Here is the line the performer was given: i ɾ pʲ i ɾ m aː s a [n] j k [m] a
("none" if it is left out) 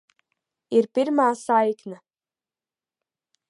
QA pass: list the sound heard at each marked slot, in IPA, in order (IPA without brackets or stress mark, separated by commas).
none, n